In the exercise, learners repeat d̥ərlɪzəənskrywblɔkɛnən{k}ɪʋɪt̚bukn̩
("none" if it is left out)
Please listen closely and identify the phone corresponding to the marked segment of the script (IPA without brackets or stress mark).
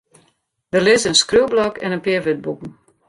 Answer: p